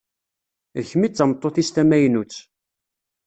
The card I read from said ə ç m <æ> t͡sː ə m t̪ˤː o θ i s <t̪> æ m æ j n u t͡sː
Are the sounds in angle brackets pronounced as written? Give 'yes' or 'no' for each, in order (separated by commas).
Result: no, yes